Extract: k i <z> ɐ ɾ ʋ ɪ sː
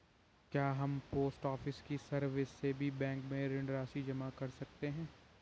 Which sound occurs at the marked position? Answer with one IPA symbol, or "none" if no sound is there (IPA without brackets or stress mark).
s